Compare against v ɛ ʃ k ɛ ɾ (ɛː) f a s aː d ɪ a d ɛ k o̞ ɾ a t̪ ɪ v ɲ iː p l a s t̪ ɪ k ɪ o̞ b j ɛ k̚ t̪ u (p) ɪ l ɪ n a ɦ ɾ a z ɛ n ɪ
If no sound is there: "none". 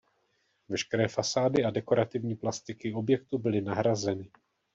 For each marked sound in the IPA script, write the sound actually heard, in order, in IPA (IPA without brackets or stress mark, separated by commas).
ɛː, b